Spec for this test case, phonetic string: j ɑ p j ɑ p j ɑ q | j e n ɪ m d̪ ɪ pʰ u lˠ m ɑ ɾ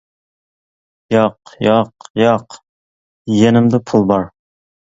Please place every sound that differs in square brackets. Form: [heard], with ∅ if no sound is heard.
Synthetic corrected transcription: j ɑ [q] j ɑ [q] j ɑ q | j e n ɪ m d̪ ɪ pʰ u lˠ [b] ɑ ɾ